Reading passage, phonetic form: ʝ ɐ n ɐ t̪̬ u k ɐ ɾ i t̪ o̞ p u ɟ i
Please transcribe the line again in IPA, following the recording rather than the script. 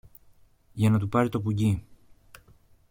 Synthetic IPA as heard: ʝ ɐ n ɐ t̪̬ u p ɐ ɾ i t̪ o̞ p u ɟ i